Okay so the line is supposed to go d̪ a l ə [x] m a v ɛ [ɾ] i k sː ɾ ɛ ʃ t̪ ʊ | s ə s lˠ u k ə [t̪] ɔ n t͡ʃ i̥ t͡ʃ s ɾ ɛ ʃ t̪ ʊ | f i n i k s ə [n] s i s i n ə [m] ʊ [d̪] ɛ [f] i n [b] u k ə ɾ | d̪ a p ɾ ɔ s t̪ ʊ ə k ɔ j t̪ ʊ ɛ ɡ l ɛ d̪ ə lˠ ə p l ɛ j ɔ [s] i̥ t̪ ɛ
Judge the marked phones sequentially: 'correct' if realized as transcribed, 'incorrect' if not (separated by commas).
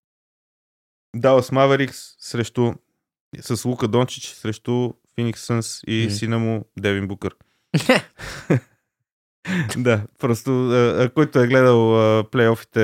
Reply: incorrect, correct, incorrect, correct, correct, correct, incorrect, correct, incorrect